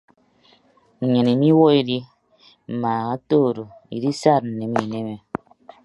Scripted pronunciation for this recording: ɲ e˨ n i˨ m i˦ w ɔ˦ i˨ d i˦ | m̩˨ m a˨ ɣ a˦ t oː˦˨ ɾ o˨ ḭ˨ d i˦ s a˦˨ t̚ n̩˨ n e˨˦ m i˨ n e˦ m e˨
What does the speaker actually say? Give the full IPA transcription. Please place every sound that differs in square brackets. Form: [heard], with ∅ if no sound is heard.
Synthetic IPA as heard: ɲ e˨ n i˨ m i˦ w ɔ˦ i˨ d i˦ | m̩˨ m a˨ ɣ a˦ t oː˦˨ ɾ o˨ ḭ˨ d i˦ s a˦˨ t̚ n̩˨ n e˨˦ m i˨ n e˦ m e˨